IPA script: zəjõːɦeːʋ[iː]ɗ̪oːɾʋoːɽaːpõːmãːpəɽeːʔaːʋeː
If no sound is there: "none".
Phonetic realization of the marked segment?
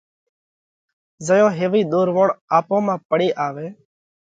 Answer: iː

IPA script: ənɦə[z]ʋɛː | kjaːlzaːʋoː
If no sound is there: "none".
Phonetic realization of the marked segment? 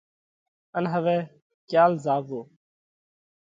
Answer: none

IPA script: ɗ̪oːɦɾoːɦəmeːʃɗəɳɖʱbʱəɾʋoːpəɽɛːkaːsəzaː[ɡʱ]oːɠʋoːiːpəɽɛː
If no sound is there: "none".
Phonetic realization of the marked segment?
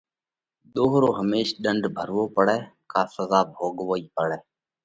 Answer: bʱ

